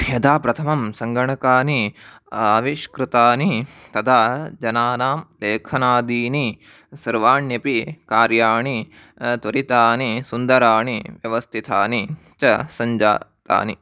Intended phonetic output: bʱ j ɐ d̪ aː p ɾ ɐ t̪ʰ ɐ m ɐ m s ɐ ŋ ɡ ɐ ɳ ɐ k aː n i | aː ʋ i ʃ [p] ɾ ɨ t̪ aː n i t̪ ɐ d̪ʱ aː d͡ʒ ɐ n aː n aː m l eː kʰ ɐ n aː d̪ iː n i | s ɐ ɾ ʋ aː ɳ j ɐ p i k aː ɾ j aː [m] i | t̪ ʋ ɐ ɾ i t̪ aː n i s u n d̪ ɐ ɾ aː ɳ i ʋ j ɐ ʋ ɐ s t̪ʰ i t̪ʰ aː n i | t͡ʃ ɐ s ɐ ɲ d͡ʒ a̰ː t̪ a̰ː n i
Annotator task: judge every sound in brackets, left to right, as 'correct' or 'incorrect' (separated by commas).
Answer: incorrect, incorrect